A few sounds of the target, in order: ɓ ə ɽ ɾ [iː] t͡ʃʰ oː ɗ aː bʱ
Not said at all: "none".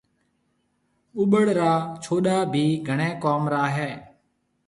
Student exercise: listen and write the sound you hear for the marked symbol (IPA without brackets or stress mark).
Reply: aː